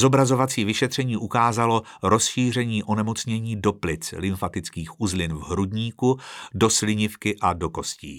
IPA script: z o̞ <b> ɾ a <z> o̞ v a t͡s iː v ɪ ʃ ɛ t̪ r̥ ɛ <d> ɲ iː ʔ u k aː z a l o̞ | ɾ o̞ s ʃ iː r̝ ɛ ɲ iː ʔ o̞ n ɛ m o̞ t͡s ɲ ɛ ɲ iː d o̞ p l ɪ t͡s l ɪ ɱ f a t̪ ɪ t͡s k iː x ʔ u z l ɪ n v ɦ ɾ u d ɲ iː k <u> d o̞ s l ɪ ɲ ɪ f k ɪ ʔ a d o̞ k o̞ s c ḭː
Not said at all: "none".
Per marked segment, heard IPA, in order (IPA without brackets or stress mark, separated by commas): b, z, none, u